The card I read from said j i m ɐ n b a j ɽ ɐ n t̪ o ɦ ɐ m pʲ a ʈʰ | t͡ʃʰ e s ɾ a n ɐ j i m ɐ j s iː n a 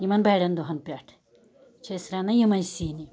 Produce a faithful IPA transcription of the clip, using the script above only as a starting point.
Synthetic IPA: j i m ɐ n b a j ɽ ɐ n d̪ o ɦ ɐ n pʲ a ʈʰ | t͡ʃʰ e s ɾ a n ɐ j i m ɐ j s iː n i